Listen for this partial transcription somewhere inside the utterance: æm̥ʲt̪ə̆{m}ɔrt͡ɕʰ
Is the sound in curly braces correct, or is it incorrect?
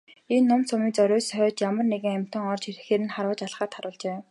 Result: incorrect